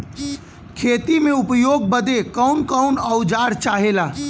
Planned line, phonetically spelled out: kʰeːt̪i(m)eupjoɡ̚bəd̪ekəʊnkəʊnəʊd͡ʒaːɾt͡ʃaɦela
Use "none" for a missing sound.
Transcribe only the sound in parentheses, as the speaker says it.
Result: m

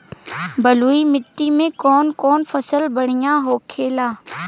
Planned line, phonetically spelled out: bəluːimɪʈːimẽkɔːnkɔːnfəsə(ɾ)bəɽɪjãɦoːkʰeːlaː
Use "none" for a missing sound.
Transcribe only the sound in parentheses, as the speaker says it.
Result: l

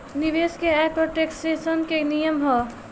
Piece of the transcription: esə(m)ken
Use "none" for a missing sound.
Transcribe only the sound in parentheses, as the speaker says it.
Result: n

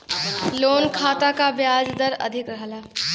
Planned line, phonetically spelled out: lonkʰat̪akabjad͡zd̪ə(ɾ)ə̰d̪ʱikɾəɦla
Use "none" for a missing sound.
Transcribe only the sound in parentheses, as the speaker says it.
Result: ɾ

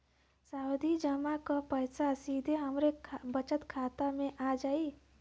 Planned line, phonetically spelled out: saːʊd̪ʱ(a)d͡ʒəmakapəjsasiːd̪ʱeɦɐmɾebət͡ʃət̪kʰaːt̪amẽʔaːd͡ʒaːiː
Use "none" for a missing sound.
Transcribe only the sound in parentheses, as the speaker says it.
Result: i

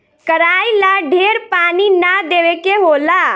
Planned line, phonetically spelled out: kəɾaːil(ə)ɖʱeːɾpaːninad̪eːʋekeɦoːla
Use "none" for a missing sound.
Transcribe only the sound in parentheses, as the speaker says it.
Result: a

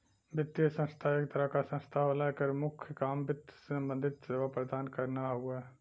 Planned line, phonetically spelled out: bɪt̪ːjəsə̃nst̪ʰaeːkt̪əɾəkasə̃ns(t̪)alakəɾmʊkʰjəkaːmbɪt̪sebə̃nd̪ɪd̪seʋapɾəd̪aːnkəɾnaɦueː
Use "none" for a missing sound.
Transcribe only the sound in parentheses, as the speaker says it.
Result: t̪ʰ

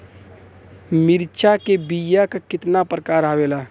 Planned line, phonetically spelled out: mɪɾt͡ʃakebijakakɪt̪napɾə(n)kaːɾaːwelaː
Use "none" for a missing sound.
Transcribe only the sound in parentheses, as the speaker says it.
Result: none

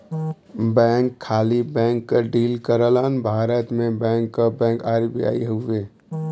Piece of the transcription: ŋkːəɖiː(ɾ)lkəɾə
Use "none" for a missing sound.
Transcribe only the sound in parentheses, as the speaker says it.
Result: none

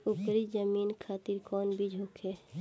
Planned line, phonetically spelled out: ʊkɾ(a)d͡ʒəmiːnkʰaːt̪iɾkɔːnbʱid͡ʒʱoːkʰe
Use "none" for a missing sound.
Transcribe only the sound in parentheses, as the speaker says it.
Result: i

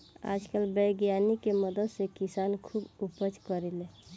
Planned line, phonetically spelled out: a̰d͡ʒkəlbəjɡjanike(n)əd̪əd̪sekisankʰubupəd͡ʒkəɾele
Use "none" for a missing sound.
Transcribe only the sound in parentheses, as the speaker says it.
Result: m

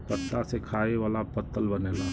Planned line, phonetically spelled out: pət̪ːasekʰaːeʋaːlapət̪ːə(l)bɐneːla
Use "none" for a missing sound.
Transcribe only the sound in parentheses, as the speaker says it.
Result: l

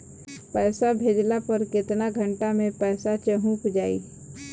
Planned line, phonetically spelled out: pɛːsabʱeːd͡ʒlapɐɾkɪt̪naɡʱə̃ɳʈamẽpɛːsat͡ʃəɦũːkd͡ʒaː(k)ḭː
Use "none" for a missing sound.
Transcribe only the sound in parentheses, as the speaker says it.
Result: none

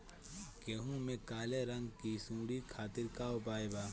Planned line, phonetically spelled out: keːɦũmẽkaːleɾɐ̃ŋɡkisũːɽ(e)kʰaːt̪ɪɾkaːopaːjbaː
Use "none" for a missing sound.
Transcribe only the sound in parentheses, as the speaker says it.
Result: i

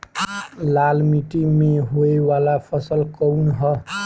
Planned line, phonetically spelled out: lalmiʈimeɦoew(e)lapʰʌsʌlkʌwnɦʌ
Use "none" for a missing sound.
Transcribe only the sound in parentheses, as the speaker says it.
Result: a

